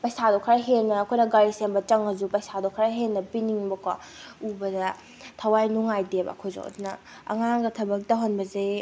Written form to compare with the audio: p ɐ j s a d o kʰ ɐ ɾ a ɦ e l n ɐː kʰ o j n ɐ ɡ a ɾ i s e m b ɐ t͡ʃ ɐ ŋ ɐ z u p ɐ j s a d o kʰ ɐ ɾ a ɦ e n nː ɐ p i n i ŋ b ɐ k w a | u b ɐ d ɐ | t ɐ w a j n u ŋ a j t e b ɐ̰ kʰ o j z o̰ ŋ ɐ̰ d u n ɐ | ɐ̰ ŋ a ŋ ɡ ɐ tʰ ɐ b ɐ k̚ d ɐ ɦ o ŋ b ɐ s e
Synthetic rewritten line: p ɐ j s a d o kʰ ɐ ɾ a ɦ e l n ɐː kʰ o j n ɐ ɡ a ɾ i s e m b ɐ t͡ʃ ɐ ŋ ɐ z u p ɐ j s a d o kʰ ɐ ɾ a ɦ e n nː ɐ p i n i ŋ b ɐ k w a | u b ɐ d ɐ | tʰ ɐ w a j n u ŋ a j d e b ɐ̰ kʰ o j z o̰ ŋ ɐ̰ d u n ɐ | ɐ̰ ŋ a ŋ ɡ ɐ tʰ ɐ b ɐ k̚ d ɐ ɦ o n b ɐ z e